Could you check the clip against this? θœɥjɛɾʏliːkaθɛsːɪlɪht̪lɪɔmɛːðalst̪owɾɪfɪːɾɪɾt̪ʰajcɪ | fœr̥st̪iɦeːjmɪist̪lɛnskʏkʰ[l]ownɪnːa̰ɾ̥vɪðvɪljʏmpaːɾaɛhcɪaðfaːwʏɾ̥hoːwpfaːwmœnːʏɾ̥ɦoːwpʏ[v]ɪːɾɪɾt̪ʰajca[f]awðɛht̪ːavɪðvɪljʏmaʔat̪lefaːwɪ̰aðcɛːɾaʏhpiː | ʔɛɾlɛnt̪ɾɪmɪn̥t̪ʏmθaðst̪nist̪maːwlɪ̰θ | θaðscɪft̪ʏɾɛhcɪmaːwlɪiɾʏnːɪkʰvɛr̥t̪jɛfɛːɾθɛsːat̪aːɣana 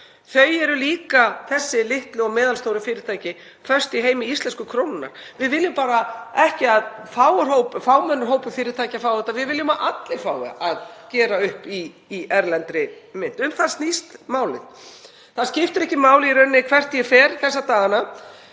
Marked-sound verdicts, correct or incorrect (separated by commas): incorrect, incorrect, correct